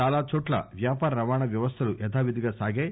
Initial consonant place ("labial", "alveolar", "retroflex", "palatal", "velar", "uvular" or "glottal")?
alveolar